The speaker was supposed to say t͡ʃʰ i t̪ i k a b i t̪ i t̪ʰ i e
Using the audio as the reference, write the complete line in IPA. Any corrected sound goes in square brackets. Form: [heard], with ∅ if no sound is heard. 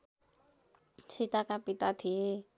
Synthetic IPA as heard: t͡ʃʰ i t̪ [a] k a [p] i t̪ [a] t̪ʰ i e